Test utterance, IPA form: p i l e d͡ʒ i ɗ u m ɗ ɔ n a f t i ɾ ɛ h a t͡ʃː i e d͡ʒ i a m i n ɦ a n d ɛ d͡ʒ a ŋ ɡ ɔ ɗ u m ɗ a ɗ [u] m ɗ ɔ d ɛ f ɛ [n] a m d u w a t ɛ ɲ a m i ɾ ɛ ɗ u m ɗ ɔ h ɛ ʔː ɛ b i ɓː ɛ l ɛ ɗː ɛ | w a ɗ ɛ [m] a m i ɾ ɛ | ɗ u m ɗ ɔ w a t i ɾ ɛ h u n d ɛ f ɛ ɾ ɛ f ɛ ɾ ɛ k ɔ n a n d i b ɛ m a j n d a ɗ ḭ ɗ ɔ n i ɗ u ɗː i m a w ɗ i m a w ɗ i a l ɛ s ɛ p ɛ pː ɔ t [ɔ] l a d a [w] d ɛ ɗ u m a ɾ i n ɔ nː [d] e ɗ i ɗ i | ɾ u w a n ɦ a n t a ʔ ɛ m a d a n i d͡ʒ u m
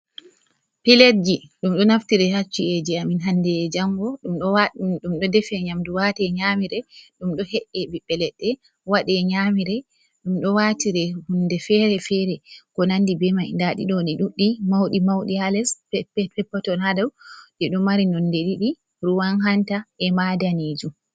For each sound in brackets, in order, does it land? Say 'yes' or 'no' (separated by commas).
yes, no, no, yes, yes, yes